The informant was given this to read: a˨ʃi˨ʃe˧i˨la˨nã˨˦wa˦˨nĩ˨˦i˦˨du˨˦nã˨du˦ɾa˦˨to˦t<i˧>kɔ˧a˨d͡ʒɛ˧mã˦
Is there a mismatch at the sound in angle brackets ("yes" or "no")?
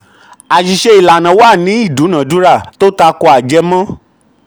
yes